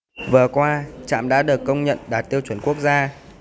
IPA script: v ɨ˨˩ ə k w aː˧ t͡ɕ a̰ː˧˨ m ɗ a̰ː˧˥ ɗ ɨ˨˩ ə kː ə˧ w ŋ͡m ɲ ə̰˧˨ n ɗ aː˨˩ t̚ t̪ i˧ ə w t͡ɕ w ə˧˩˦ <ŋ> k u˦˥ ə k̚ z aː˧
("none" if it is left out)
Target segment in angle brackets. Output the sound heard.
n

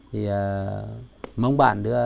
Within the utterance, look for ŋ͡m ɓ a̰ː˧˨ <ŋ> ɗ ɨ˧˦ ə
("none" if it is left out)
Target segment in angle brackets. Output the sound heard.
n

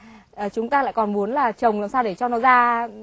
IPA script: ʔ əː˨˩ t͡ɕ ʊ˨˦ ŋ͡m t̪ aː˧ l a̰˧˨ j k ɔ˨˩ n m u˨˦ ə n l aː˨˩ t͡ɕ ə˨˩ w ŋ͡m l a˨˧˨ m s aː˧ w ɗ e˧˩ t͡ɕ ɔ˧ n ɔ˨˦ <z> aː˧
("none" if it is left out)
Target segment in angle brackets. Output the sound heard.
z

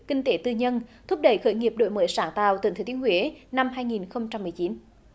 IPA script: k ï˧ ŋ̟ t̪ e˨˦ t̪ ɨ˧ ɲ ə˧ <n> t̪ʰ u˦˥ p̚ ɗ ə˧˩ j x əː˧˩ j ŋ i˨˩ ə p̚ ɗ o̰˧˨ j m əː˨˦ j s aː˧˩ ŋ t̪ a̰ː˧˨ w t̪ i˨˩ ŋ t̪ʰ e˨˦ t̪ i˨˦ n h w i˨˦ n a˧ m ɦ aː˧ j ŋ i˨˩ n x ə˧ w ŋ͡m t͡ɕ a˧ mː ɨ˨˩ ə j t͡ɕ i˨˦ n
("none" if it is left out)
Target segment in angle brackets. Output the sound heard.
n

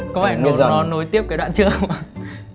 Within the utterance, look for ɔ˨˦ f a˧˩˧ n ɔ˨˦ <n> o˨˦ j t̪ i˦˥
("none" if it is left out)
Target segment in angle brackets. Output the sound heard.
n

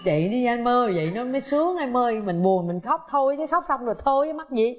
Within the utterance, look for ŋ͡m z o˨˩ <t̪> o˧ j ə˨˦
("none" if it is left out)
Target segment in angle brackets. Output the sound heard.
t̪ʰ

